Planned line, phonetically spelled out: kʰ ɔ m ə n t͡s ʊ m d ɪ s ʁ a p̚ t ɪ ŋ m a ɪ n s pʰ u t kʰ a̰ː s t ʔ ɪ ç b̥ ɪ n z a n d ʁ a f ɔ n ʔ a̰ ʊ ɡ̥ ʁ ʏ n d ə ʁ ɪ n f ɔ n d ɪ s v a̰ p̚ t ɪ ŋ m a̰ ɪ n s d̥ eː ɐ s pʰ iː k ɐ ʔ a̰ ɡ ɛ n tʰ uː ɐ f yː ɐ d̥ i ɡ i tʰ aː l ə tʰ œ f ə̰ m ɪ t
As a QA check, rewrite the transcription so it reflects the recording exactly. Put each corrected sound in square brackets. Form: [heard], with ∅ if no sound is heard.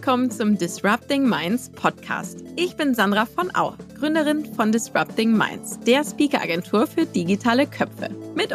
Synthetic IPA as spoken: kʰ ɔ m ə n t͡s ʊ m d ɪ s ʁ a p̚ t ɪ ŋ m a ɪ n s pʰ [ɔ] t kʰ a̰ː s t ʔ ɪ ç b̥ ɪ n z a n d ʁ a f ɔ n ʔ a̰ ʊ ɡ̥ ʁ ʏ n d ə ʁ ɪ n f ɔ n d ɪ s [ʁ] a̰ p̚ t ɪ ŋ m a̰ ɪ n s d̥ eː ɐ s [p] iː k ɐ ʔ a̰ ɡ ɛ n tʰ uː ɐ f yː ɐ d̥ i ɡ i tʰ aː l ə [kʰ] œ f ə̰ m ɪ t